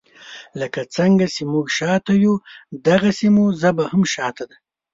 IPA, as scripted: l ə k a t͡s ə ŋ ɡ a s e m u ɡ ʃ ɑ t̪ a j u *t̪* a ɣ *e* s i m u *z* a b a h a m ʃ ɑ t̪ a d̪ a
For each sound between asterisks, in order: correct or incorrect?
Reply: incorrect, incorrect, correct

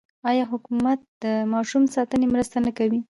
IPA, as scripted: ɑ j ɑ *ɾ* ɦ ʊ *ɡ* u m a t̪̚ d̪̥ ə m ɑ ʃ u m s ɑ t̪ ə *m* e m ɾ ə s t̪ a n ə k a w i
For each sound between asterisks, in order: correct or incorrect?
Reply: incorrect, incorrect, incorrect

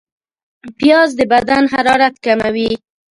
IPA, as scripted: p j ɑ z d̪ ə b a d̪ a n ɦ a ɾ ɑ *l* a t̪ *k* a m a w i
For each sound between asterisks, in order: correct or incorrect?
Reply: incorrect, correct

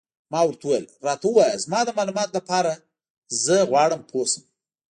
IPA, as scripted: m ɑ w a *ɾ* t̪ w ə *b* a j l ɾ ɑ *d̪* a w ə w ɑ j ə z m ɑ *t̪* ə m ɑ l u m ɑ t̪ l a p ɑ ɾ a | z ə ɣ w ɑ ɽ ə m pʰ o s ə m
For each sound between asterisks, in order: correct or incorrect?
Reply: correct, incorrect, incorrect, incorrect

